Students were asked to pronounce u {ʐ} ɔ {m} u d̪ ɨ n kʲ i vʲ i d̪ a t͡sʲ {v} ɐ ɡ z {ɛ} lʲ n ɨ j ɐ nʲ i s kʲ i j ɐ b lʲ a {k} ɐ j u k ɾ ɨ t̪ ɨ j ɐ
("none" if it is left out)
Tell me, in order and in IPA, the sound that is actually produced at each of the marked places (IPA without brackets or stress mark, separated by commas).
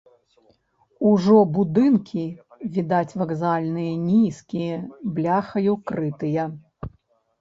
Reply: ʐ, b, v, a, x